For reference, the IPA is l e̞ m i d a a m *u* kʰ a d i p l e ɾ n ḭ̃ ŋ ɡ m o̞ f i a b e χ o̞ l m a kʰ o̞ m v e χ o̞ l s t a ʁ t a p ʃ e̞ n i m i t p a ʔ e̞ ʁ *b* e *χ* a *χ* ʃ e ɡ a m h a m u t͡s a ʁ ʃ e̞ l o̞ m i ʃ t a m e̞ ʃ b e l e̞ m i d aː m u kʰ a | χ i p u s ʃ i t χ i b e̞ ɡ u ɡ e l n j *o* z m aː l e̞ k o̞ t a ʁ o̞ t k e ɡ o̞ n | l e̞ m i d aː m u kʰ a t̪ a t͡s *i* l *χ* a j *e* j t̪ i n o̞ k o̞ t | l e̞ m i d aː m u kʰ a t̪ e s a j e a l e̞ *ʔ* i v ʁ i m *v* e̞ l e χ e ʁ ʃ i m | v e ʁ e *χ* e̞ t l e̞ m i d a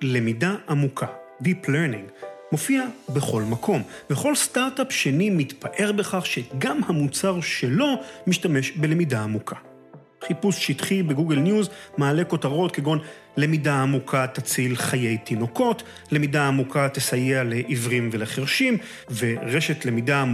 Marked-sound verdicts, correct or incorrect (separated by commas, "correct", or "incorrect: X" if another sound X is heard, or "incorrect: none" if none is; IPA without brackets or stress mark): correct, correct, correct, correct, incorrect: u, correct, correct, correct, correct, correct, incorrect: ʃ